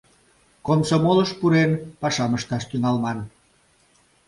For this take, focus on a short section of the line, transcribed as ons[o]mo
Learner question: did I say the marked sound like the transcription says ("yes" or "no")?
yes